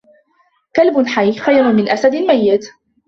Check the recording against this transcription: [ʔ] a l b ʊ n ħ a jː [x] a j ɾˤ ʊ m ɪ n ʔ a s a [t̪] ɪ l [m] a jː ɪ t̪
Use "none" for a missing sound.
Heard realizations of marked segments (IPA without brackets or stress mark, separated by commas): k, x, d̪, m